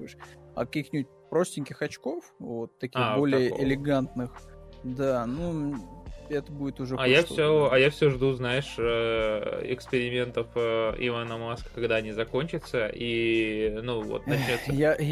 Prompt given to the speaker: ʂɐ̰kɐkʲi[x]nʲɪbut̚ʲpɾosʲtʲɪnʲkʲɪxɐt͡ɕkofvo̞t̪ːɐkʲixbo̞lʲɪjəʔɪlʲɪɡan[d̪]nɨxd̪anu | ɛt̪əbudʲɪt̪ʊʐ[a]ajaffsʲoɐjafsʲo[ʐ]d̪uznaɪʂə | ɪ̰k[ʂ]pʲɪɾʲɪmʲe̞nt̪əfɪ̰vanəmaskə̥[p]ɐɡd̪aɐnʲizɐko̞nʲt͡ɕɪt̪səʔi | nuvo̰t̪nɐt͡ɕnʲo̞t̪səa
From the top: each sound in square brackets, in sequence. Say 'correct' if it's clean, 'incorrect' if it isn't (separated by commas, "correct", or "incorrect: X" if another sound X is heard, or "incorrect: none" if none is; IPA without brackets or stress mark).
correct, incorrect: t̪, incorrect: ɛ, correct, incorrect: s, incorrect: k